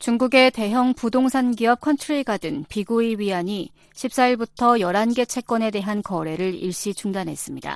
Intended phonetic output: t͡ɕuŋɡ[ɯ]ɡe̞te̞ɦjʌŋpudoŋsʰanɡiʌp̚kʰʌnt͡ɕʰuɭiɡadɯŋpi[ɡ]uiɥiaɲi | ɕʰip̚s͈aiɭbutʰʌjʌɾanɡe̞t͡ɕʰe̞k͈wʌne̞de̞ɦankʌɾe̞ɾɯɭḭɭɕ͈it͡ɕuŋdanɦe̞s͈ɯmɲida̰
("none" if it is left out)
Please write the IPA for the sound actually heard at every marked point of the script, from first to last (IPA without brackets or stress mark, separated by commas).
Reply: u, ɡ